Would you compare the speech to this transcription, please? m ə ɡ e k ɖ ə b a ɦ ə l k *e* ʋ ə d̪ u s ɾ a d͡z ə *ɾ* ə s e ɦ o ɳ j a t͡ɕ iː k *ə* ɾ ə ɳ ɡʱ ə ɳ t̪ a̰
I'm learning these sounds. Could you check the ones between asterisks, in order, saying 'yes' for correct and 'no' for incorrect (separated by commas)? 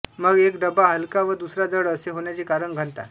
no, no, no